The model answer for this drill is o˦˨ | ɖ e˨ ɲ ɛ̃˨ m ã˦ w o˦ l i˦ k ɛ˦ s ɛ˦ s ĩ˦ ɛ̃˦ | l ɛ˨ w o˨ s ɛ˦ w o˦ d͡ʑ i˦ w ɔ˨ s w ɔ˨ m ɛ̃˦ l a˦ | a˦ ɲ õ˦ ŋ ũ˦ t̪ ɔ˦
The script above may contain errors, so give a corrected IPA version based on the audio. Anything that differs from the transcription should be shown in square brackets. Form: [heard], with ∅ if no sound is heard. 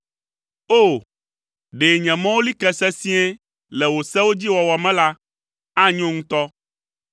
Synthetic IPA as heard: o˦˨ | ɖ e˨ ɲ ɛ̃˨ m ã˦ w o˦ l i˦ k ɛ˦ s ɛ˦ s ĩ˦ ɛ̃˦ | l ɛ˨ w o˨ s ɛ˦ w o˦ d͡ʑ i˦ w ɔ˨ [∅] w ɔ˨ m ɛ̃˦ l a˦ | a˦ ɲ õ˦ ŋ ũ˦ t̪ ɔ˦